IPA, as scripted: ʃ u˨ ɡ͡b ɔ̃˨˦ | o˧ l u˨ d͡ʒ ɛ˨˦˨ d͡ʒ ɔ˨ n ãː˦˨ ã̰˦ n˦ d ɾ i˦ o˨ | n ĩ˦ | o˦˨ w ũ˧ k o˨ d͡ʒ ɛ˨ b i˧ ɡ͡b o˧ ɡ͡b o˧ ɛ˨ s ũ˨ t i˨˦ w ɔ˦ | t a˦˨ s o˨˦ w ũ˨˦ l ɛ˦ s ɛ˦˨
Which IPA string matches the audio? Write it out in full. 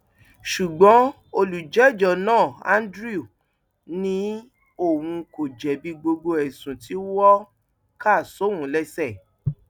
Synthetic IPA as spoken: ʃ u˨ ɡ͡b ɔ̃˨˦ | o˧ l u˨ d͡ʒ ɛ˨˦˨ d͡ʒ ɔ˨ n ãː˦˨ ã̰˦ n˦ d ɾ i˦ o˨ | n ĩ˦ | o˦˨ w ũ˧ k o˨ d͡ʒ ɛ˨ b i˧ ɡ͡b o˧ ɡ͡b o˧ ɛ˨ s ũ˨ t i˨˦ w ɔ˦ | k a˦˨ s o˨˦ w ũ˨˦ l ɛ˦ s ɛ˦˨